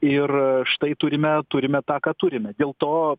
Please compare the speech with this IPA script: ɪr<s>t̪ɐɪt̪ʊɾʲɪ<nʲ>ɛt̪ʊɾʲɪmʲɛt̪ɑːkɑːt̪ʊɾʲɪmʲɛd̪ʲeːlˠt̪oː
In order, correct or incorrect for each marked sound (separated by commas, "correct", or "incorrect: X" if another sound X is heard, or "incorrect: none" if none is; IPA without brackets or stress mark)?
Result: incorrect: ʃ, incorrect: mʲ